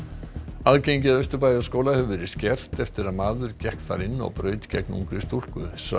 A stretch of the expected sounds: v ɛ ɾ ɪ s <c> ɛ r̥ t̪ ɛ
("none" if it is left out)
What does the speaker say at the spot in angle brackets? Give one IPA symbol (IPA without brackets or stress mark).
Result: c